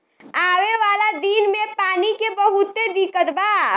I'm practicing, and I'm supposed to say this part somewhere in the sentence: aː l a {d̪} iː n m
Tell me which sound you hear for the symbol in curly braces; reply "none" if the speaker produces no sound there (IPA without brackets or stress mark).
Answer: d̪